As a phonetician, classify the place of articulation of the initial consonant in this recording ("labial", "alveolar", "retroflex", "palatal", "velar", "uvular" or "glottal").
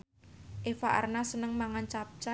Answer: glottal